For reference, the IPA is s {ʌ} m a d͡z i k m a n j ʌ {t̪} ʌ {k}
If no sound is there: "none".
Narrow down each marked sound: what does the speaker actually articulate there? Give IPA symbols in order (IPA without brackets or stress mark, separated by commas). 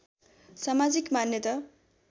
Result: a, t̪, none